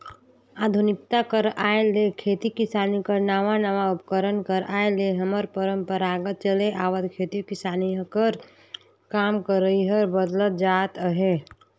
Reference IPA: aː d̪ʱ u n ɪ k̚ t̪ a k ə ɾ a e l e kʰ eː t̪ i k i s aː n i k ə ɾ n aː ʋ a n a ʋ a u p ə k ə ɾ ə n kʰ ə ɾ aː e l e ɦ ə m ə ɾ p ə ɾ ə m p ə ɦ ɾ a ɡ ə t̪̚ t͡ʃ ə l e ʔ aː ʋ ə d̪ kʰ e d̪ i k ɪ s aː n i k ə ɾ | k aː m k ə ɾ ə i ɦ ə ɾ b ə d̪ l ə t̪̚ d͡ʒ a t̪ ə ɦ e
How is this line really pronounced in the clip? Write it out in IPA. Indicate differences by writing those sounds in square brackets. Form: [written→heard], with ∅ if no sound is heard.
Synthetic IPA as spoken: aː d̪ʱ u n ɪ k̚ t̪ a k ə ɾ a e l e kʰ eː t̪ i k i s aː n i k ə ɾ n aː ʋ a n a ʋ a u p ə k ə ɾ ə n [kʰ→k] ə ɾ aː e l e ɦ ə m ə ɾ p ə ɾ ə m p ə [ɦ→∅] ɾ a ɡ ə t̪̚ t͡ʃ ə l e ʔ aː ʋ ə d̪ kʰ e [d̪→t̪] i k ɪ s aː n i k ə ɾ | k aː m k ə ɾ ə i ɦ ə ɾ b ə d̪ l ə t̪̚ d͡ʒ a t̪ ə ɦ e